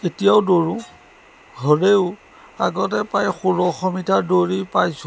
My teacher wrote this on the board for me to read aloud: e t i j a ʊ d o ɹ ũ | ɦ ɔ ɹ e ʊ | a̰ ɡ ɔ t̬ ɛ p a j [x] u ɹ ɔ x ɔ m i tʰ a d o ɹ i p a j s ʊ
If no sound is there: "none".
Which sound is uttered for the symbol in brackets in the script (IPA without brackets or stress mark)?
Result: x